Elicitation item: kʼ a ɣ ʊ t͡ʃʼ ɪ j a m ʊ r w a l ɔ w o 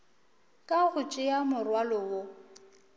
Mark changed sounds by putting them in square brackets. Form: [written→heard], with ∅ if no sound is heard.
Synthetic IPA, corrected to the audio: kʼ a ɣ ʊ t͡ʃʼ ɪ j a m ʊ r w a l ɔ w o